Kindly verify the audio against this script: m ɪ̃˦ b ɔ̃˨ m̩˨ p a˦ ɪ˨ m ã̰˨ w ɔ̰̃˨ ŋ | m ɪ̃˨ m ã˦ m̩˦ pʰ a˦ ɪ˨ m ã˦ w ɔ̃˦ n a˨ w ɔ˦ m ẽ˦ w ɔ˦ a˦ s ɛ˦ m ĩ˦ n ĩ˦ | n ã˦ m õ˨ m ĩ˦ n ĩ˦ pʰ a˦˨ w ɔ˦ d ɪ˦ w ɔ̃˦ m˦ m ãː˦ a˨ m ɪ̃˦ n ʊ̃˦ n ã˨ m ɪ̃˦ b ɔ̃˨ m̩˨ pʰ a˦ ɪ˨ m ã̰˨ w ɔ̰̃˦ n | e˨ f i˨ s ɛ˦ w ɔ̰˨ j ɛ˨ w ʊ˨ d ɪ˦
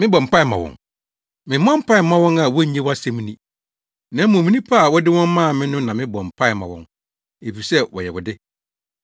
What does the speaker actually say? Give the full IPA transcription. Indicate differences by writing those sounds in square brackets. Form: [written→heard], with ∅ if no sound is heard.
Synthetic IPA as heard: m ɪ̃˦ b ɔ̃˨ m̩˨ p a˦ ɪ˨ m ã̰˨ w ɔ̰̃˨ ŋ | m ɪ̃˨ m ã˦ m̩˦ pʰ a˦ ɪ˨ m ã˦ w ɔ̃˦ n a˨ w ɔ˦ [m→ɲ] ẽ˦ w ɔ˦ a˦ s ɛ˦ m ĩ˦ n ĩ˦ | n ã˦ m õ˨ m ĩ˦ n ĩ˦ pʰ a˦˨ w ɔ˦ d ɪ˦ w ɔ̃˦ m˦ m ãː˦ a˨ m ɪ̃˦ n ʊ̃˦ n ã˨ m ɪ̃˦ b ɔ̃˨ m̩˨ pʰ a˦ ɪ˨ m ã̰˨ w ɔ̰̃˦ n | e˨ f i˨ s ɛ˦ w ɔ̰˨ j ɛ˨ w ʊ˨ d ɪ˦

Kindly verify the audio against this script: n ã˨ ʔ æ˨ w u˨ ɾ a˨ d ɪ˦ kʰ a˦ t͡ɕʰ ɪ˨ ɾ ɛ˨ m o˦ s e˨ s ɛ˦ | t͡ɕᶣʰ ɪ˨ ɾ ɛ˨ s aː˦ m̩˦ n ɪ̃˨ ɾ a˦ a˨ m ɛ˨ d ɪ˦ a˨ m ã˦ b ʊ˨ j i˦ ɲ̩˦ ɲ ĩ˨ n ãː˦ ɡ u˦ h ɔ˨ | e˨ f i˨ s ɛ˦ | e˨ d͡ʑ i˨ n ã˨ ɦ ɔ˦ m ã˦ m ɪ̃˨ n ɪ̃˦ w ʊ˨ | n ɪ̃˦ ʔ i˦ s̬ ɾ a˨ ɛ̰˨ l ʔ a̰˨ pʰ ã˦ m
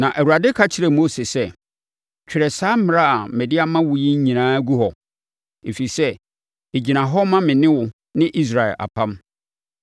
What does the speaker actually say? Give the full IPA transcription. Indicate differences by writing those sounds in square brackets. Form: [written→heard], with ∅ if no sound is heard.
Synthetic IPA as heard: n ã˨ ʔ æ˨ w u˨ ɾ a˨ d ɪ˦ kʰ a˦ t͡ɕʰ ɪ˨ ɾ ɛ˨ m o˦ s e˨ s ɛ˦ | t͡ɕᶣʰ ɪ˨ ɾ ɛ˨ s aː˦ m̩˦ [n→m] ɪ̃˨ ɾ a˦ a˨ m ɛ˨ d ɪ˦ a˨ m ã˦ [b→w] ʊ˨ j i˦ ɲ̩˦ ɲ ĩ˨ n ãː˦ ɡ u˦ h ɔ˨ | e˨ f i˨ s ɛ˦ | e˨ d͡ʑ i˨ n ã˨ ɦ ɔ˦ m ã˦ m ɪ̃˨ n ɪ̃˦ w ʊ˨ | n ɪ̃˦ ʔ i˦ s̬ ɾ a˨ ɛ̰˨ l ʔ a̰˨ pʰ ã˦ m

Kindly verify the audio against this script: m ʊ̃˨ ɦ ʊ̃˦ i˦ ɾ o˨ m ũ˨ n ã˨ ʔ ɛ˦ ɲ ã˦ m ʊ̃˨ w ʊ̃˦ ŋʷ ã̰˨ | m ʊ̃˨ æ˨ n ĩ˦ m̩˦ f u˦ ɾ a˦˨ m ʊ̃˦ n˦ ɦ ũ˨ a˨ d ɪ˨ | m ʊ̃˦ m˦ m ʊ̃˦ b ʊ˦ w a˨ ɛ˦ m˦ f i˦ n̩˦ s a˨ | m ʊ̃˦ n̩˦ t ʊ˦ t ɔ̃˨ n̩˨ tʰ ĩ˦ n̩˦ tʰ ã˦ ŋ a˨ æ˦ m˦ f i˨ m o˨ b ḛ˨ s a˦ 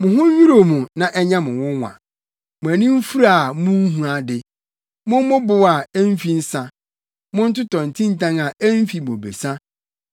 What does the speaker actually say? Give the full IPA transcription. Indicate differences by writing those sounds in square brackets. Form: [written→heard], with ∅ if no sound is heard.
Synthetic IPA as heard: m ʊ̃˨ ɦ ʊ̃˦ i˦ ɾ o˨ m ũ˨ n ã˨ ʔ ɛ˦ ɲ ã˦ m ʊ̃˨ w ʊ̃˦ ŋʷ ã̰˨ | m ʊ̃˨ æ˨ n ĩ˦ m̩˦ f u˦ ɾ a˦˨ m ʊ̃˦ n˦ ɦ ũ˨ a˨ d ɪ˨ | m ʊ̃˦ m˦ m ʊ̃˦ b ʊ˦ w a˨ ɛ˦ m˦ f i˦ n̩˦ s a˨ | m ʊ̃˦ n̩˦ t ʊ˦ t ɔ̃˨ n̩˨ tʰ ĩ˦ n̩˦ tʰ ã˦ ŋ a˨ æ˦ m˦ f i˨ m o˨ b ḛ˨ s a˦

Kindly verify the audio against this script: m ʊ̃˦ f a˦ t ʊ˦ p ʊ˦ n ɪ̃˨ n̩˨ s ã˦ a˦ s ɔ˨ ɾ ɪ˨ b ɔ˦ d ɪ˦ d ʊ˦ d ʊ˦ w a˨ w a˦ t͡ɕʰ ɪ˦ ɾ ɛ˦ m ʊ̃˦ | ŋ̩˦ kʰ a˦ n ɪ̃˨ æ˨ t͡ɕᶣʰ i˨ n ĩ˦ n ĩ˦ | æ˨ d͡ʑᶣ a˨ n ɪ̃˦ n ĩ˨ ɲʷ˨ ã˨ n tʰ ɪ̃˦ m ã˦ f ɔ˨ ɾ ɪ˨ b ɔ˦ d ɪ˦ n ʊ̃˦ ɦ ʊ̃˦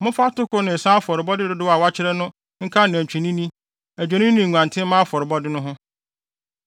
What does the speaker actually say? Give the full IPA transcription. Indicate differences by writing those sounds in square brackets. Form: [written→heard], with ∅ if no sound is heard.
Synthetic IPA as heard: m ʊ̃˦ f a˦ t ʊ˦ [p→k] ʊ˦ n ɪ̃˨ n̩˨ s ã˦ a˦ [s→f] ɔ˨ ɾ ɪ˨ b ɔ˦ d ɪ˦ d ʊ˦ d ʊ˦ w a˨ w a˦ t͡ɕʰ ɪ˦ ɾ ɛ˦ [m→n] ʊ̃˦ | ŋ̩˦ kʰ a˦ n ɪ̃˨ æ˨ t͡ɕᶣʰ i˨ n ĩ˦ n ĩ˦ | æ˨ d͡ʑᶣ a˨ n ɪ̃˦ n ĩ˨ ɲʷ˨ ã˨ n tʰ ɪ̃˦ m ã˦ f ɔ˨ ɾ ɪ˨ b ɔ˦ d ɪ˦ n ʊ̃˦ ɦ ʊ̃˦

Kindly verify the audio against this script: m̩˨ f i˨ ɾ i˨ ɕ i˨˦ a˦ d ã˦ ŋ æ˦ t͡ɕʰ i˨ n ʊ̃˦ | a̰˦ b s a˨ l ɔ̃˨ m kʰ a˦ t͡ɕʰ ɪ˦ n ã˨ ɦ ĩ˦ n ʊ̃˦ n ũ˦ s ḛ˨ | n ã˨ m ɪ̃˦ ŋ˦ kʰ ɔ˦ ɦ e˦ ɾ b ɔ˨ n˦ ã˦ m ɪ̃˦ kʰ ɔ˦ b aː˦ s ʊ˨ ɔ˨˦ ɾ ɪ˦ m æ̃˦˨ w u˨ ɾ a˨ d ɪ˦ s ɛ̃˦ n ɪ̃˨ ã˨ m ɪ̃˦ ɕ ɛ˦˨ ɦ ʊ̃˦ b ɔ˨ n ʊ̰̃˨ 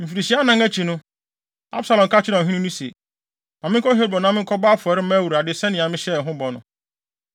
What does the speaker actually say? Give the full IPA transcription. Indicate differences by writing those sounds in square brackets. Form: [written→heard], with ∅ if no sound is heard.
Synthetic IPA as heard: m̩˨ f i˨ ɾ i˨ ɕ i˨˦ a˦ [d→n] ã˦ ŋ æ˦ t͡ɕʰ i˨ n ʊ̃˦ | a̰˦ b s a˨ l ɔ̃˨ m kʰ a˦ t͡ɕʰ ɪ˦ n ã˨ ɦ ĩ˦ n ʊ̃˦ n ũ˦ s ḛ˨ | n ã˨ m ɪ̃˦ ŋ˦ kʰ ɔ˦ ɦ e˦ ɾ b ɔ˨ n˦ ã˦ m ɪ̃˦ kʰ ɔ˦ b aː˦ [s→f] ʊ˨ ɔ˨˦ ɾ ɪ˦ m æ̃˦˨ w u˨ ɾ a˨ d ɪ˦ s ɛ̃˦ n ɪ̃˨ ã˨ m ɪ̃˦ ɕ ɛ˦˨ ɦ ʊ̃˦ b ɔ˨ n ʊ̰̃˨

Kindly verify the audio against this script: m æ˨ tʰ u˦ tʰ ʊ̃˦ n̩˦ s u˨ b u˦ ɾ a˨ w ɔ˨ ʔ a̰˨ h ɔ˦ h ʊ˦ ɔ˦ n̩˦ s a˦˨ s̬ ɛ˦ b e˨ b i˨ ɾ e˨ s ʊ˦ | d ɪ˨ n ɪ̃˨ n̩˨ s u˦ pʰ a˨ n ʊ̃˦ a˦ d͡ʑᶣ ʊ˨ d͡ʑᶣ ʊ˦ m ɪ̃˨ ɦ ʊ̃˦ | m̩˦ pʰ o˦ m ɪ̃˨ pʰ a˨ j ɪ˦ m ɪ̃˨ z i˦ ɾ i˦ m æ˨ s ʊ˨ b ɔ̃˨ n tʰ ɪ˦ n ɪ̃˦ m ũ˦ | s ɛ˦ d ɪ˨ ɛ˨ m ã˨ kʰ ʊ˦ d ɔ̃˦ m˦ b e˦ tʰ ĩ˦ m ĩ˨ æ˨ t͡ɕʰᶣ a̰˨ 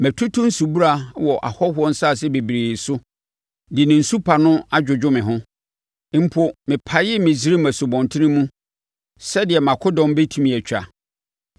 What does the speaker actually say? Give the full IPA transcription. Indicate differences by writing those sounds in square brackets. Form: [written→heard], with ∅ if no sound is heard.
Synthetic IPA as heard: m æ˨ tʰ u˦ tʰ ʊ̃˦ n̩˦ s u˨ b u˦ ɾ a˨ w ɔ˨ ʔ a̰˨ h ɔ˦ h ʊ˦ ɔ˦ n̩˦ s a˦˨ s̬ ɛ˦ b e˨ b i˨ ɾ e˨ s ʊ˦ | d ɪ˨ n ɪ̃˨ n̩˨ s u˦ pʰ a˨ n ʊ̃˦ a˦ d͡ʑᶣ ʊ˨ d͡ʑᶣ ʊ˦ m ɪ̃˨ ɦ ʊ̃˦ | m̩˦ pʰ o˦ m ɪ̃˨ pʰ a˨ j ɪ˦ m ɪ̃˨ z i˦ ɾ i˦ m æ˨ s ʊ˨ b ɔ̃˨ n tʰ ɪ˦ n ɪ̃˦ m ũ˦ | s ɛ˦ d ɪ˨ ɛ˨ m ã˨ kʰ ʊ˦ d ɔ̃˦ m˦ b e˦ tʰ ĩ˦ m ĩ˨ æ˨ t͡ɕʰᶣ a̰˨

